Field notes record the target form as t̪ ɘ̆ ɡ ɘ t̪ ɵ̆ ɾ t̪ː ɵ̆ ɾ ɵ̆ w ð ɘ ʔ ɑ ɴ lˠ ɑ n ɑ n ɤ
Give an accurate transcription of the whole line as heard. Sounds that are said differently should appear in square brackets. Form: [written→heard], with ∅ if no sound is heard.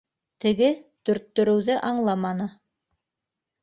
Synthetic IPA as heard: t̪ ɘ̆ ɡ ɘ t̪ ɵ̆ ɾ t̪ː ɵ̆ ɾ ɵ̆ w ð ɘ ʔ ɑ ɴ lˠ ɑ [n→m] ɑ n ɤ